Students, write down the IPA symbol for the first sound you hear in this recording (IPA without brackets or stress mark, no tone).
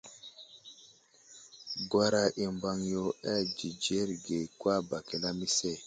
ɡ